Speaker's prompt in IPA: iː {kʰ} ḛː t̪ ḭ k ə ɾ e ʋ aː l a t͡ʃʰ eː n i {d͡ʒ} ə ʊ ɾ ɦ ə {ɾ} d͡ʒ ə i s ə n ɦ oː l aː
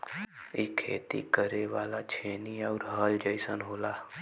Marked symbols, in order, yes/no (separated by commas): yes, no, no